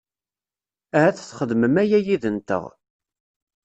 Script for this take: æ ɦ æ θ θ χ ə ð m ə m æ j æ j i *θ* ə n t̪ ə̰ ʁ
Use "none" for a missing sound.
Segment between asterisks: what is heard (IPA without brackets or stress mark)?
ð